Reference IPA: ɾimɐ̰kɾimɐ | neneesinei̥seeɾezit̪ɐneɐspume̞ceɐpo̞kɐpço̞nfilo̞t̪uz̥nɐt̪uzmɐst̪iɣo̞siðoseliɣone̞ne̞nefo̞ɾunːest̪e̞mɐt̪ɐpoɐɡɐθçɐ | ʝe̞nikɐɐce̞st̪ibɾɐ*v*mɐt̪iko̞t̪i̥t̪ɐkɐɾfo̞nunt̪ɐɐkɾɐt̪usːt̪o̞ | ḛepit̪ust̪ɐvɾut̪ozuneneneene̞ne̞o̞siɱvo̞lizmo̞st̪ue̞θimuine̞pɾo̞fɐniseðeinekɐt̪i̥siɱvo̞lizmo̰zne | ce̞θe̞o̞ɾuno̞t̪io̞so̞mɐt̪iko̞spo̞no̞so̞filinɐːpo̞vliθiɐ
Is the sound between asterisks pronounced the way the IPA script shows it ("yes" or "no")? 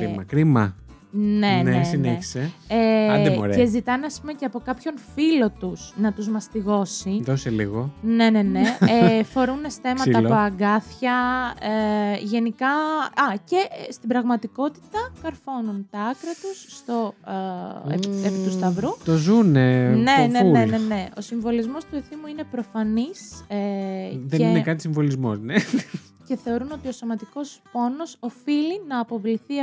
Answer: no